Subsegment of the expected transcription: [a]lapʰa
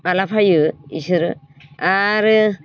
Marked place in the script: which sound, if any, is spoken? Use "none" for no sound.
a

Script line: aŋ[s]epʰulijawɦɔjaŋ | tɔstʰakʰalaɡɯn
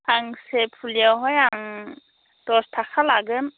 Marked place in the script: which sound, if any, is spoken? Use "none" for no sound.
s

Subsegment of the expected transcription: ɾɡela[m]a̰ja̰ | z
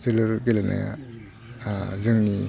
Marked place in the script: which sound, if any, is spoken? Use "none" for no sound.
n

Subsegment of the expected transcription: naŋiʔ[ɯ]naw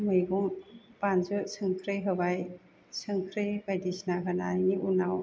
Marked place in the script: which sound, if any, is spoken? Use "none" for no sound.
u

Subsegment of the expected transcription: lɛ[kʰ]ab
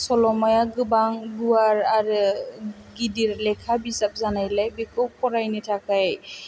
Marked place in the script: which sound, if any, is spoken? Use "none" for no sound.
kʰ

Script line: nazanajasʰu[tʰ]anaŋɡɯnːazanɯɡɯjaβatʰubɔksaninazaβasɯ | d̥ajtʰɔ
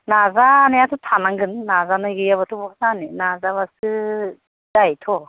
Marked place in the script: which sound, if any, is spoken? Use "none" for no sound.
tʰ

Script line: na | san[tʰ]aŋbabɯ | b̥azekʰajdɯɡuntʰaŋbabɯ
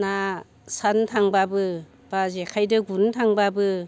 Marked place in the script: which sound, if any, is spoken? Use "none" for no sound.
tʰ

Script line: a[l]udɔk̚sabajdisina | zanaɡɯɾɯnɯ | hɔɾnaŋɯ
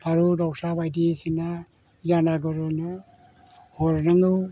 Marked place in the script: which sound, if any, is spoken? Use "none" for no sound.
ɾ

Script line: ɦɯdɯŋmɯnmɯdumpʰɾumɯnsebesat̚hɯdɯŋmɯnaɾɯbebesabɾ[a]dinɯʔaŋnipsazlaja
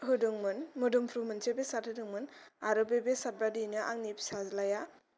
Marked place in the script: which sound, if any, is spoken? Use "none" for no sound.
a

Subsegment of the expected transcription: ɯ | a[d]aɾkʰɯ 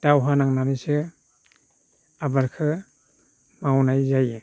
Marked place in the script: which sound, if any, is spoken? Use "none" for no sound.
b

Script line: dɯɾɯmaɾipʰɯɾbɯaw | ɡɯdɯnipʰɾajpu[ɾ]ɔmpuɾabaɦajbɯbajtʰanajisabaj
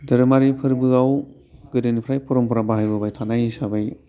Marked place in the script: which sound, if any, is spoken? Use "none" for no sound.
ɾ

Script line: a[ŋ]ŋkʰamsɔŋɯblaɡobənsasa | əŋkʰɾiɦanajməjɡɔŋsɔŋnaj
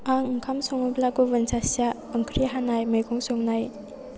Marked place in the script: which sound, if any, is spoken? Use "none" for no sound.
ŋ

